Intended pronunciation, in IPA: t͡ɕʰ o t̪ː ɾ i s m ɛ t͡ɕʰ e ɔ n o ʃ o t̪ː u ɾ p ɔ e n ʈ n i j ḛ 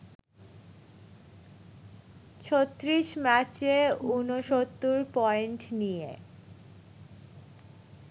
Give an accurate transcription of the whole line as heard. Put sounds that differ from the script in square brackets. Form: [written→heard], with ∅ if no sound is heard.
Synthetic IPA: t͡ɕʰ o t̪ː ɾ i [s→ʃ] m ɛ [t͡ɕʰ→t͡ɕ] e [ɔ→u] n o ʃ o t̪ː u ɾ p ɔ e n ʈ n i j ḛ